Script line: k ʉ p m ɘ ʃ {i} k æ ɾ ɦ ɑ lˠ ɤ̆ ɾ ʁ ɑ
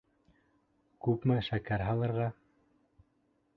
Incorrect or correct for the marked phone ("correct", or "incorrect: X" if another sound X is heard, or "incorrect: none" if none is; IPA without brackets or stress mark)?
incorrect: æ